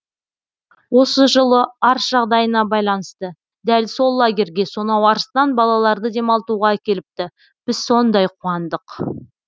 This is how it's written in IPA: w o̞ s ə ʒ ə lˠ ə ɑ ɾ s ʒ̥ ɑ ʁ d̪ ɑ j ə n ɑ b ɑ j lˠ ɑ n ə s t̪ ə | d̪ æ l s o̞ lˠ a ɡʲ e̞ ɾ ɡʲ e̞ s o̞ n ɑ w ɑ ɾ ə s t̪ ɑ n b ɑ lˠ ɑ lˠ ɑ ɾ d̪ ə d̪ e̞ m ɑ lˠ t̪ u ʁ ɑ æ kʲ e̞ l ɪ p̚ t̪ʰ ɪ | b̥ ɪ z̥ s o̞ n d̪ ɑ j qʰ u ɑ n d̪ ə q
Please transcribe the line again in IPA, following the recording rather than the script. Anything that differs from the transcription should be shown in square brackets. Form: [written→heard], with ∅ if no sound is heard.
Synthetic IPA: w o̞ s ə ʒ ə lˠ ə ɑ ɾ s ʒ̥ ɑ ʁ d̪ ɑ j ə n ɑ b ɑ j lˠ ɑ n ə s t̪ ə | d̪ æ l s o̞ [lˠ→lˠː] a ɡʲ e̞ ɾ ɡʲ e̞ s o̞ n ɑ w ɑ ɾ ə s t̪ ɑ n b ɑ lˠ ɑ lˠ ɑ ɾ d̪ ə d̪ e̞ m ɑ lˠ t̪ u ʁ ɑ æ kʲ e̞ l ɪ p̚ [t̪ʰ→t̪] ɪ | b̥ ɪ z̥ s o̞ n d̪ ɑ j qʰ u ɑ n d̪ ə q